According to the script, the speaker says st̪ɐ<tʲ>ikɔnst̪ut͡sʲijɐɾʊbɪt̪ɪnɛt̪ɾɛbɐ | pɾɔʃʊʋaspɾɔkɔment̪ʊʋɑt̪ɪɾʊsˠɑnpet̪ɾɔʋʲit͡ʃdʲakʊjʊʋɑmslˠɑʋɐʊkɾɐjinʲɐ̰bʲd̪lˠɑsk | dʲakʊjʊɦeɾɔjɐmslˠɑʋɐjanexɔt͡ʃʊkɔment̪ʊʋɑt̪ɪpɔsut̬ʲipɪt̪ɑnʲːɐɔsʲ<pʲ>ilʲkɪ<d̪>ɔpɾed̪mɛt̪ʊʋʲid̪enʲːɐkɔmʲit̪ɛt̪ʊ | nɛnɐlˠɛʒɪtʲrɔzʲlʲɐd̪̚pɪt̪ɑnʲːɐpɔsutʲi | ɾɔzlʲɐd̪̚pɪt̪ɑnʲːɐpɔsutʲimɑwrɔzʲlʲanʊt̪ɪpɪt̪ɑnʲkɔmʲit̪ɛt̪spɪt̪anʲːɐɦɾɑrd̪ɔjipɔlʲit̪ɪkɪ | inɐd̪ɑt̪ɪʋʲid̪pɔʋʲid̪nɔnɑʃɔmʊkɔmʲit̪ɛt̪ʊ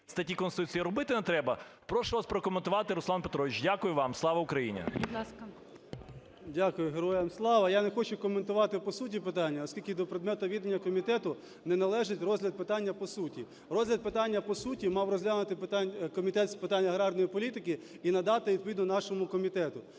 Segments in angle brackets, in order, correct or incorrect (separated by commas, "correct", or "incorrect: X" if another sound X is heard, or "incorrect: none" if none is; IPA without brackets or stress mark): correct, incorrect: kʲ, correct